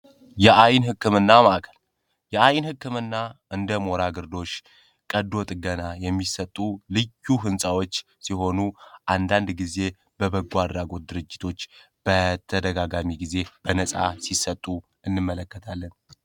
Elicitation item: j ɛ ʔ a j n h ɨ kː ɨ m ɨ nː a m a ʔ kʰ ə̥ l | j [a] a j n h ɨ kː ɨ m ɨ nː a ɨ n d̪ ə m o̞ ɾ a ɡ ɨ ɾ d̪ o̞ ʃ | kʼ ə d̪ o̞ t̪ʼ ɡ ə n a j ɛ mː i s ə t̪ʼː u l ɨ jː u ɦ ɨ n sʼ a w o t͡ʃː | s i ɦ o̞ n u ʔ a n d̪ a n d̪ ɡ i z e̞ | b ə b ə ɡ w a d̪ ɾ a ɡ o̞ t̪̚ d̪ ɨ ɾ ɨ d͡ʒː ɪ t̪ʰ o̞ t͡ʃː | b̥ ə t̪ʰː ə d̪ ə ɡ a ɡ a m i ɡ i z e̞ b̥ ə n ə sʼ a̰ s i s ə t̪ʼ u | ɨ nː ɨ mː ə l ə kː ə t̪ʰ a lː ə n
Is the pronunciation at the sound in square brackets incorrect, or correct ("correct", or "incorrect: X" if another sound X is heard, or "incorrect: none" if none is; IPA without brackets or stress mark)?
incorrect: ɛ